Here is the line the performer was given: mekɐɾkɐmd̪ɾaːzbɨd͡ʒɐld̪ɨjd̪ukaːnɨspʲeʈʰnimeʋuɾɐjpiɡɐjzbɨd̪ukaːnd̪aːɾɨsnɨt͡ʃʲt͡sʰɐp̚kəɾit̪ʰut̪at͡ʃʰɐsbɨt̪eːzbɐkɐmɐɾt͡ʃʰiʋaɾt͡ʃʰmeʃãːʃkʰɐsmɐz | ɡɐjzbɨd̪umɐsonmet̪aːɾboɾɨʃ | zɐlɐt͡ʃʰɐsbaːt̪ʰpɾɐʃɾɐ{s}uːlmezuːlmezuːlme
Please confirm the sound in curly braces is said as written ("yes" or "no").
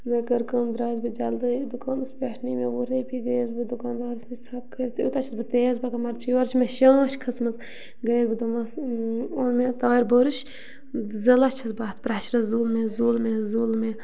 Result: no